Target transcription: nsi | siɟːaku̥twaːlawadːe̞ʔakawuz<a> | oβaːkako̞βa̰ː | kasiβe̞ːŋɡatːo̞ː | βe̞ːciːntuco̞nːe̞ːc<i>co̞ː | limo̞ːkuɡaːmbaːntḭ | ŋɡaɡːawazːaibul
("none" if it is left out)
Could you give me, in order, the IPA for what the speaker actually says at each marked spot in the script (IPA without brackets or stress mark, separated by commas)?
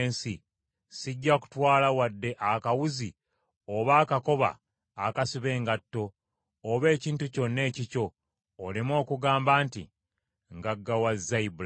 i, i